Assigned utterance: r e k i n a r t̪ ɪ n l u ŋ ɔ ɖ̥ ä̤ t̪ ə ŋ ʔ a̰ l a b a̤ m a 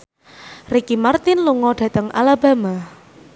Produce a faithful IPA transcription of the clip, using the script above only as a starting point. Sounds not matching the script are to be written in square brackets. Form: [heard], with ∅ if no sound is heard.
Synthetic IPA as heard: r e k i [m] a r t̪ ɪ n l u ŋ ɔ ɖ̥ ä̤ t̪ ə ŋ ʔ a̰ l a b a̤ m a

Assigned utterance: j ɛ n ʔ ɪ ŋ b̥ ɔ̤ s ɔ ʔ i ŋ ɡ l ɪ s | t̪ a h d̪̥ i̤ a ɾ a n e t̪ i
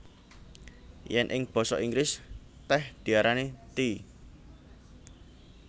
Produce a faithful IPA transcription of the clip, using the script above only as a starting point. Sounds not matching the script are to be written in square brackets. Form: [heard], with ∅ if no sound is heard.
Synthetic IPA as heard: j ɛ n ʔ ɪ ŋ b̥ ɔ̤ s ɔ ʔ i ŋ ɡ [ɾ] ɪ s | t̪ [ɛ] h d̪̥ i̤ a ɾ a n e t̪ i

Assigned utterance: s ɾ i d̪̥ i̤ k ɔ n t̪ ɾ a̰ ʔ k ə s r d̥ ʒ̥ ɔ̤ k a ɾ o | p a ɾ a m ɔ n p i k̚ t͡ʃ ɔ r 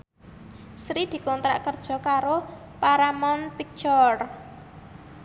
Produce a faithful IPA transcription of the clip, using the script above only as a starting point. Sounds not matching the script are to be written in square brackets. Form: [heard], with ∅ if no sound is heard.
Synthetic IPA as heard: s ɾ i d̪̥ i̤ k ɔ n t̪ ɾ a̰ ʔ k ə [∅] r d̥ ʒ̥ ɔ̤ k a ɾ o | p a ɾ a m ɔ n p i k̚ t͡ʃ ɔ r

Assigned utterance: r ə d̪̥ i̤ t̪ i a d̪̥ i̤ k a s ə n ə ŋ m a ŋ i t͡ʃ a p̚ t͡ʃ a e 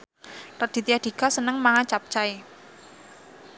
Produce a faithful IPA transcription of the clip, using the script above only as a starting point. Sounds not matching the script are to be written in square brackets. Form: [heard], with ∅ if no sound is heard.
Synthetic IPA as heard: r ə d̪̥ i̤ t̪ i a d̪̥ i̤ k a s ə n ə ŋ m a ŋ [a] t͡ʃ a p̚ t͡ʃ a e

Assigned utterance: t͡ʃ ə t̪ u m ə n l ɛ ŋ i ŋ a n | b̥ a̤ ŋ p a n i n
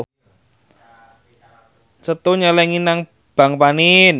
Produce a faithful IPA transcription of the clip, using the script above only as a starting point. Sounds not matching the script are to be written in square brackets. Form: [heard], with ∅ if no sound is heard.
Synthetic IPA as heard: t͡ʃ ə t̪ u [ɲ] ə [∅] l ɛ ŋ i [n] a [ŋ] | b̥ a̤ ŋ p a n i n

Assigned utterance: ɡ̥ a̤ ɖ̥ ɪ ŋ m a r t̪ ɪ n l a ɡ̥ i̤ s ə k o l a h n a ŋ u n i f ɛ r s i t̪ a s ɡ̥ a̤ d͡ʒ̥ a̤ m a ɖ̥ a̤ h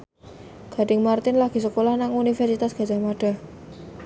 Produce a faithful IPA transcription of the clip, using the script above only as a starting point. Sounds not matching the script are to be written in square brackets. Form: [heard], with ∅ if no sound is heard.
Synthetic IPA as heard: ɡ̥ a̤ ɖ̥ ɪ ŋ m a r t̪ ɪ n l a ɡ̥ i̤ s ə k o l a h n a ŋ u n i f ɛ r s i t̪ a s ɡ̥ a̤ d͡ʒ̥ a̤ m a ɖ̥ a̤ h

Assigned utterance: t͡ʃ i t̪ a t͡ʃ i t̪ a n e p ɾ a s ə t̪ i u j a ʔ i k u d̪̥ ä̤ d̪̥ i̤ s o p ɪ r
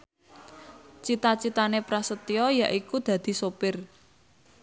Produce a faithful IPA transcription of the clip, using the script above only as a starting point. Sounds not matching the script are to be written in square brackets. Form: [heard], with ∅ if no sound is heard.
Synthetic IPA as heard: t͡ʃ i t̪ a t͡ʃ i t̪ a n e p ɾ a s ə t̪ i [ɔ] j a ʔ i k u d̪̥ ä̤ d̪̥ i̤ s o p ɪ r

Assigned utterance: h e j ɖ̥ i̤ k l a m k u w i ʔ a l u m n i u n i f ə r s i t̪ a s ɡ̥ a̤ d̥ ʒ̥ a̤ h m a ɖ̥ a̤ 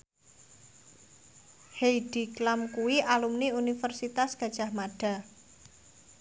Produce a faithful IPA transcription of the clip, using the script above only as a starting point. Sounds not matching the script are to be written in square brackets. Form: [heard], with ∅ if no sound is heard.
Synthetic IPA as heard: h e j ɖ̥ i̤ k l a m k u w i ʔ a l u m n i u n i f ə r s i t̪ a s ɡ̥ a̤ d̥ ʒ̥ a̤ h m a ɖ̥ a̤

